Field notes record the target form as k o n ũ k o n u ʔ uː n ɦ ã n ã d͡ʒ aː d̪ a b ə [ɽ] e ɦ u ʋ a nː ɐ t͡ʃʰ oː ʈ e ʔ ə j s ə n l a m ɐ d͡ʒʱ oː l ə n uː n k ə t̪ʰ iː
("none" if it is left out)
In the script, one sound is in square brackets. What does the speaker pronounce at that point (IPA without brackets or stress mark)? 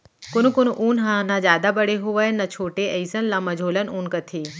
ɽ